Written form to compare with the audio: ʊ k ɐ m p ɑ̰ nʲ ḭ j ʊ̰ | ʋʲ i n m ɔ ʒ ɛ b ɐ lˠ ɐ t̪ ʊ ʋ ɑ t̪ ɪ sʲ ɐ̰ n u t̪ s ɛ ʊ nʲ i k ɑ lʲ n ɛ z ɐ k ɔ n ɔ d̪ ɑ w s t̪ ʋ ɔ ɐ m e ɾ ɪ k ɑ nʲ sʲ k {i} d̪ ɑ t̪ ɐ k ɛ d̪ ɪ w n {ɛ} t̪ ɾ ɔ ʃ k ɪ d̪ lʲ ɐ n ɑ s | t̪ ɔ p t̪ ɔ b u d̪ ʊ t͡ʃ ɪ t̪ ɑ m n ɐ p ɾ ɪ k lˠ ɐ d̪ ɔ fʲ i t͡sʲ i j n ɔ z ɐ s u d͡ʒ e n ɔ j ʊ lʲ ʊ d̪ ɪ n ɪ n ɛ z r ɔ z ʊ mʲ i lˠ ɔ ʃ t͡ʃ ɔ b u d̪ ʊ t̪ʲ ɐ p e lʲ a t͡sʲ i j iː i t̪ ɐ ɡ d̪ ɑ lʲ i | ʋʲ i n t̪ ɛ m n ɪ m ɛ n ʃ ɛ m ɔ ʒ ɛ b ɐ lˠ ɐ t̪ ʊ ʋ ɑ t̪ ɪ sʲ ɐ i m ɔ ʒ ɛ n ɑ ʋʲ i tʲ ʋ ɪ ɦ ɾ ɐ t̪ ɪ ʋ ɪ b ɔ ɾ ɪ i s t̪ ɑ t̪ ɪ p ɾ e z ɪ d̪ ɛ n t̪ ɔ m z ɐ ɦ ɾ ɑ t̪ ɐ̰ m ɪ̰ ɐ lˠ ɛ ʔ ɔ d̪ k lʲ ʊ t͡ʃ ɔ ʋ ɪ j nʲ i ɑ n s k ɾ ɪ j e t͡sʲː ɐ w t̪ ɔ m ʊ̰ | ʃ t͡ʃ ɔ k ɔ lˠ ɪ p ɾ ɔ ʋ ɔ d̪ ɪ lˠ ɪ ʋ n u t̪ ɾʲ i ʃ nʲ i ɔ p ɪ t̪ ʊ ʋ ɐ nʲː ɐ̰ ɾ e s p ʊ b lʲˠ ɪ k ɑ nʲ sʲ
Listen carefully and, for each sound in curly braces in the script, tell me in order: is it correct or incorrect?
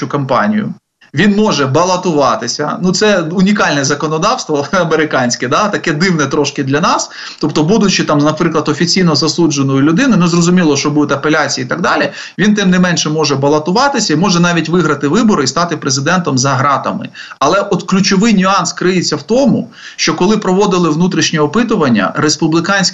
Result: incorrect: ɛ, correct

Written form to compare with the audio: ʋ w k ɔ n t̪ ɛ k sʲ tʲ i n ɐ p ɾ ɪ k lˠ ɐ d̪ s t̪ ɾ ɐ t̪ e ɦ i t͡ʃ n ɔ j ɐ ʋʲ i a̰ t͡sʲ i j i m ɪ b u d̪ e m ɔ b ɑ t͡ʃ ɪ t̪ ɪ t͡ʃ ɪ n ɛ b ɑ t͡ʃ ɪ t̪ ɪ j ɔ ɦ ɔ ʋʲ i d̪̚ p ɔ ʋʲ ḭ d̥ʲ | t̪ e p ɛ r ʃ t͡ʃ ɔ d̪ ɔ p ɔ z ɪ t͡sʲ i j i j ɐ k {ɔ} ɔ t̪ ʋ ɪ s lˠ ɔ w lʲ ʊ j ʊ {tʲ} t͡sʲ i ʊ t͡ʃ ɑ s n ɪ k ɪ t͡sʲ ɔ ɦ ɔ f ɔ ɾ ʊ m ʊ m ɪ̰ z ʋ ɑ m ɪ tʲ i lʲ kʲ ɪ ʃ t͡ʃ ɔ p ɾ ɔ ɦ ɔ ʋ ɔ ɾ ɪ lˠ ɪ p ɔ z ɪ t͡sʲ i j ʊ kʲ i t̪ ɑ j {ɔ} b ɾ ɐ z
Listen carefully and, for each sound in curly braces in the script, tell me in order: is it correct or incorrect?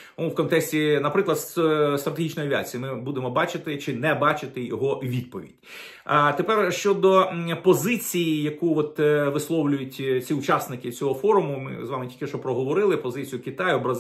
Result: incorrect: u, correct, correct

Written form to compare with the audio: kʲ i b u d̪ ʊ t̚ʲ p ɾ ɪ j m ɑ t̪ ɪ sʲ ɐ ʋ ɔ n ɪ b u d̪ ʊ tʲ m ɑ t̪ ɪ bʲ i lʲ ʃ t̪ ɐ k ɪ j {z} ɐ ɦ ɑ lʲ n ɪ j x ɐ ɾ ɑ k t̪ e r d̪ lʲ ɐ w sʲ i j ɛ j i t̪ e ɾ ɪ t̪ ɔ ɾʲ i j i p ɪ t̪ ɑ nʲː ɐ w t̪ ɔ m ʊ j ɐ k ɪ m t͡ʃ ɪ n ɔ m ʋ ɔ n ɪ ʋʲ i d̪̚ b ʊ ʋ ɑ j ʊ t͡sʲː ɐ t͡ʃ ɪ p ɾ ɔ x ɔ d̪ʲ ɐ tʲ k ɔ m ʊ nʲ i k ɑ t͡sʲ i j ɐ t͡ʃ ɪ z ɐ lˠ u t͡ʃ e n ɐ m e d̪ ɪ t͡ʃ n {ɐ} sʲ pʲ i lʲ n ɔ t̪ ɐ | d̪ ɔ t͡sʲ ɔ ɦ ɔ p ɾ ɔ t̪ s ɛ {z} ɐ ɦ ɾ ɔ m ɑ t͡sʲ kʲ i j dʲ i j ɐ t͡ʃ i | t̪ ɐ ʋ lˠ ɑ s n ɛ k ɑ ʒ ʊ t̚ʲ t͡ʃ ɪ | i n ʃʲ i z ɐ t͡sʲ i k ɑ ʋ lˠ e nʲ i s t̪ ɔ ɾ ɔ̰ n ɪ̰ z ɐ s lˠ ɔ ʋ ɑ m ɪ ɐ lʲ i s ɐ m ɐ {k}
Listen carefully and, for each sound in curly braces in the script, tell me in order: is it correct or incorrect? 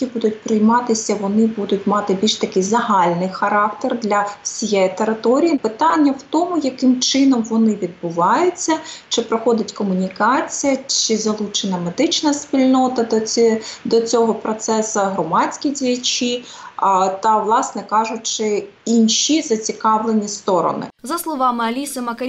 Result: correct, correct, incorrect: s, correct

